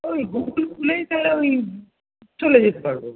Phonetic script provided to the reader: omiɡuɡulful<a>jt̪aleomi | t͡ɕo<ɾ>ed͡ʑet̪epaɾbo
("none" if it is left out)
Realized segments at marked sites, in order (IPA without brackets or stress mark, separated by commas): e, l